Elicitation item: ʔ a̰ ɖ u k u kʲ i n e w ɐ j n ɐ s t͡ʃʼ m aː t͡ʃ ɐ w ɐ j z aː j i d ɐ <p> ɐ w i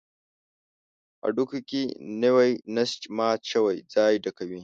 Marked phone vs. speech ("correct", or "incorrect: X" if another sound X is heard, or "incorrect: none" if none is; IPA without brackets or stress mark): incorrect: k